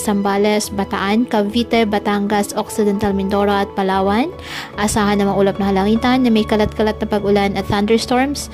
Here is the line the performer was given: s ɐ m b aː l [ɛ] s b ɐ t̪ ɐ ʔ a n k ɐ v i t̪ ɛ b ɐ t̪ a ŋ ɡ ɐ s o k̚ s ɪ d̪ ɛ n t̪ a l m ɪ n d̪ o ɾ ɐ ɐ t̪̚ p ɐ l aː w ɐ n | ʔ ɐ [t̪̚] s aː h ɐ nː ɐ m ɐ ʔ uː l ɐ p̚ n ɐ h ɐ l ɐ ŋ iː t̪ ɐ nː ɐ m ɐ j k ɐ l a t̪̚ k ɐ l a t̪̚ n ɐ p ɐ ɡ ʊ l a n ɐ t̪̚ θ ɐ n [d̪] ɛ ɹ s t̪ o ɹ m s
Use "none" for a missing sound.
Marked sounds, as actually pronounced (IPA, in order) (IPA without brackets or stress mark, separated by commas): ɛ, none, d̪